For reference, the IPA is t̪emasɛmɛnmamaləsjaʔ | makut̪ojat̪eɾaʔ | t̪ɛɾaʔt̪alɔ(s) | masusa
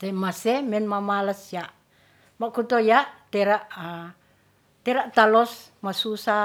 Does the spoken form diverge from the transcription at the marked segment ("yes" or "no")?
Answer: no